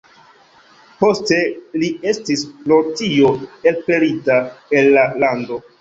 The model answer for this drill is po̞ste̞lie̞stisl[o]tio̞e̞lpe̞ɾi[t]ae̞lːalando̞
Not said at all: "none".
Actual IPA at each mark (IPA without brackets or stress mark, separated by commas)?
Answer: o, t